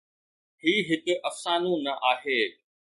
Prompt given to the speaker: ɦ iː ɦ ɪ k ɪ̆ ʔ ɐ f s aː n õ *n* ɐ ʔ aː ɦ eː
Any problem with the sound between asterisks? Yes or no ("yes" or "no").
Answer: no